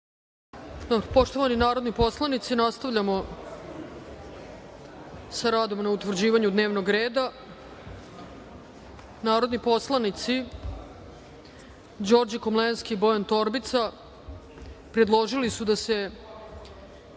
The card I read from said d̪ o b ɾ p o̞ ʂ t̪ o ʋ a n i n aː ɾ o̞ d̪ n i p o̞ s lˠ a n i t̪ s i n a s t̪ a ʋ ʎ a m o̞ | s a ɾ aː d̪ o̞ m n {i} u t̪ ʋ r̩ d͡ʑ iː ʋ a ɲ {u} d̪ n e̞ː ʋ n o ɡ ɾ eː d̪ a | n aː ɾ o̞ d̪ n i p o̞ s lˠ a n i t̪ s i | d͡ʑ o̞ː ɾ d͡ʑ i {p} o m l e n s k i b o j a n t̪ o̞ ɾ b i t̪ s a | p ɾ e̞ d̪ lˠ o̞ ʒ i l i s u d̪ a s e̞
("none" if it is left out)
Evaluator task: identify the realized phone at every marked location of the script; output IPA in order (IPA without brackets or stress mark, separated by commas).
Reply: a, u, k